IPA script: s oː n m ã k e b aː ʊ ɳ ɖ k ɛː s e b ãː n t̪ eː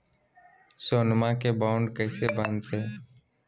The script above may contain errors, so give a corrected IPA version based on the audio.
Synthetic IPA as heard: s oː n m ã k e b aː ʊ ɳ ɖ k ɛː s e b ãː n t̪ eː